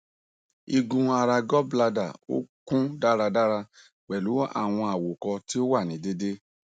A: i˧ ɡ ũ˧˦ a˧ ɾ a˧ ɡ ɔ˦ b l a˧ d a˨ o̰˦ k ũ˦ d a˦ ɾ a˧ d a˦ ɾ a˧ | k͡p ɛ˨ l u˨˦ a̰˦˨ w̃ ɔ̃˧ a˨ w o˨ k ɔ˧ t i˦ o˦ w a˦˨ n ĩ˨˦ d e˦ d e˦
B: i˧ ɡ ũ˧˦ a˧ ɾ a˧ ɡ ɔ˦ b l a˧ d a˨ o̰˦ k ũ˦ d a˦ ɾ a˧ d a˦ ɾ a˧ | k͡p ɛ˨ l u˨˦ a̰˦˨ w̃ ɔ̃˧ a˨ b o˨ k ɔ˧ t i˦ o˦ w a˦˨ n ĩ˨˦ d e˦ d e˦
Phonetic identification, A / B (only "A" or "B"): A